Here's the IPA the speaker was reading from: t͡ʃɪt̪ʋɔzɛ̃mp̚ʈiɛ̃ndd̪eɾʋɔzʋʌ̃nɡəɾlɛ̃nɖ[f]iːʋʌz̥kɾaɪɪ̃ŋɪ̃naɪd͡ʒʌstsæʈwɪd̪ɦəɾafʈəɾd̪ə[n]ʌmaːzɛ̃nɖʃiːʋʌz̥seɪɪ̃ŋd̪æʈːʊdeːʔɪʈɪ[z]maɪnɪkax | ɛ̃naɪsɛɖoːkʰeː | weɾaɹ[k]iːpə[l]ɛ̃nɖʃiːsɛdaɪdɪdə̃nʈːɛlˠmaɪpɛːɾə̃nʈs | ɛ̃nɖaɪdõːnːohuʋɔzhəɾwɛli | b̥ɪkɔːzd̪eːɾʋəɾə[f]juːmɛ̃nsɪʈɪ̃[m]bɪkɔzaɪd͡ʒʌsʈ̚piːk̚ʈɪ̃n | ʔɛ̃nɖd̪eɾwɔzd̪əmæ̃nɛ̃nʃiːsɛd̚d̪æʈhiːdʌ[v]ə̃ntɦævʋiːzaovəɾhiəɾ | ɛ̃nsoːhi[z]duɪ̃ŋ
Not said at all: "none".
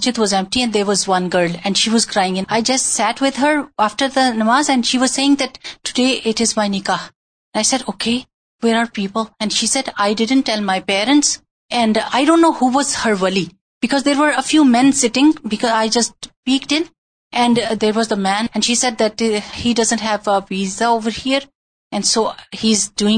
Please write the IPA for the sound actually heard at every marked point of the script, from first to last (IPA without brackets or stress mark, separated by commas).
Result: ʃ, n, z, p, l, f, ŋ, z, z